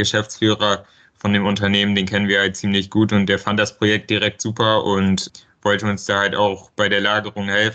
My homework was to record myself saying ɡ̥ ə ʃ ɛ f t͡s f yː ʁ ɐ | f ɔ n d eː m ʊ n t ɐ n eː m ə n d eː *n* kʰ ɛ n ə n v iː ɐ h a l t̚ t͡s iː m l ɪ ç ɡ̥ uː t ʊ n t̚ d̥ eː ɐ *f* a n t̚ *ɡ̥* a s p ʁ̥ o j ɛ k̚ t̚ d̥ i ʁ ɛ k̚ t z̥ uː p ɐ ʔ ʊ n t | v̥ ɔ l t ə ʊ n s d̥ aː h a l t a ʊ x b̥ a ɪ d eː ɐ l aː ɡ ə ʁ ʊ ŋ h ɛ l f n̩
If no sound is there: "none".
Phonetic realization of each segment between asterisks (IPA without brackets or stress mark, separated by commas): n, f, d̥